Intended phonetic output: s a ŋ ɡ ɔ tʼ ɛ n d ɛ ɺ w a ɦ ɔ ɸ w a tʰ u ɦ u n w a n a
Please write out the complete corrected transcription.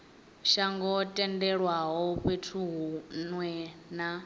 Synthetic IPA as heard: ʃ a ŋ ɡ ɔ tʼ ɛ n d ɛ ɺ w a ɦ ɔ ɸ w e tʰ u ɦ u n w ɛ n a